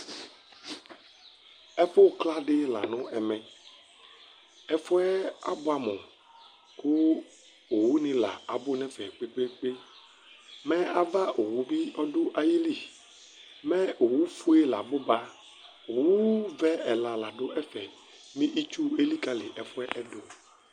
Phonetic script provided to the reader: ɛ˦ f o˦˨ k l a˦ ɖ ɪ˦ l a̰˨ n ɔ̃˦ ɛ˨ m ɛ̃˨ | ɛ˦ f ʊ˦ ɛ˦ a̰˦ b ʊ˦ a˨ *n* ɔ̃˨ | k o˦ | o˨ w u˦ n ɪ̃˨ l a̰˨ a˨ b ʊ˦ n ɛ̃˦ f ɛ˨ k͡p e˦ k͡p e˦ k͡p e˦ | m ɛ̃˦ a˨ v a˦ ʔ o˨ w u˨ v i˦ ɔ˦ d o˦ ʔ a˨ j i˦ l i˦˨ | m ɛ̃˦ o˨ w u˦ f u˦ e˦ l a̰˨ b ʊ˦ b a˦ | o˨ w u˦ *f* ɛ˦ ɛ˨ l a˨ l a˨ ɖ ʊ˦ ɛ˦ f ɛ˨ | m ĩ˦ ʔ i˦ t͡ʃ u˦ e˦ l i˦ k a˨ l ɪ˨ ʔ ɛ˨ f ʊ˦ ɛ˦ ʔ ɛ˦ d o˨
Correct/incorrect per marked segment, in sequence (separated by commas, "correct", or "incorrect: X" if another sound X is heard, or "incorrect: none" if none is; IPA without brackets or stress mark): incorrect: m, incorrect: v